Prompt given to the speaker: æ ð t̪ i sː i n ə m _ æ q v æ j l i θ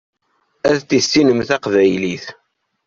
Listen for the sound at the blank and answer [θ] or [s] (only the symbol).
θ